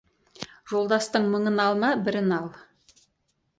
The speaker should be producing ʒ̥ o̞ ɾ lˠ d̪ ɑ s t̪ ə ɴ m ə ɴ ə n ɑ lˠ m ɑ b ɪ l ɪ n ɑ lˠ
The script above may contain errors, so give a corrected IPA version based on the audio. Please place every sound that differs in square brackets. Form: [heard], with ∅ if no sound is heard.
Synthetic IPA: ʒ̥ o̞ [∅] lˠ d̪ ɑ s t̪ ə ɴ m ə ɴ ə n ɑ lˠ m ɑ b ɪ [ɾ] ɪ n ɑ lˠ